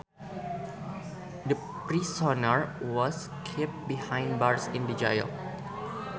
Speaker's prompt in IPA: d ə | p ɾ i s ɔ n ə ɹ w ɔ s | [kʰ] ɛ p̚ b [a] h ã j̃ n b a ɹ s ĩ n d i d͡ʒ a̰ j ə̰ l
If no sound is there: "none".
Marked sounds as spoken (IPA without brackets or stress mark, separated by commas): kʰ, i